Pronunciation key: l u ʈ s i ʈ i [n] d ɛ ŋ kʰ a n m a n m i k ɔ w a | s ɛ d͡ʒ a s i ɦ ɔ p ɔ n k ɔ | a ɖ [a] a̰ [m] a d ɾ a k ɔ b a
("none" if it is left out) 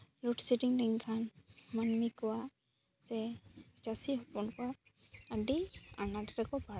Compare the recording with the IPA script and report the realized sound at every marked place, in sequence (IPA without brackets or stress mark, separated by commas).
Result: ŋ, i, n